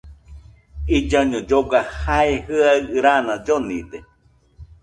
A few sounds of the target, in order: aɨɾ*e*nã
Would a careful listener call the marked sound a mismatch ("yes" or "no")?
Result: yes